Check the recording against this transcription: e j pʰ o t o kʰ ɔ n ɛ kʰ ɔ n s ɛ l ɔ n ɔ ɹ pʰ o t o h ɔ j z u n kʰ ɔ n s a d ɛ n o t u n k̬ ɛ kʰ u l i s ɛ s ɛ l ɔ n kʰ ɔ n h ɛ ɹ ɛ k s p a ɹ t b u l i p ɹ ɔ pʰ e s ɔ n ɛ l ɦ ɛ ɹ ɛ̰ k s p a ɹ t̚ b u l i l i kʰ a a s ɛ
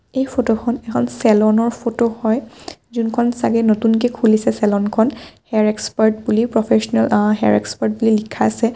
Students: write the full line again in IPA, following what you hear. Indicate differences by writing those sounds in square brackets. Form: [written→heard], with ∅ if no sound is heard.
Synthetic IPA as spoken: e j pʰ o t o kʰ ɔ n ɛ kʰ ɔ n s ɛ l ɔ n ɔ ɹ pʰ o t o h ɔ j z u n kʰ ɔ n s a [d→ɡ] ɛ n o t u n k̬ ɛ kʰ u l i s ɛ s ɛ l ɔ n kʰ ɔ n h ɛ ɹ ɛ k s p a ɹ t b u l i p ɹ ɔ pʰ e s ɔ n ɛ l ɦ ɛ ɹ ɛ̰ k s p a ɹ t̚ b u l i l i kʰ a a s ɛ